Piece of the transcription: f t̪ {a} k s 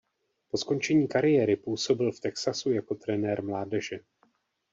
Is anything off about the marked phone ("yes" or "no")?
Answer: yes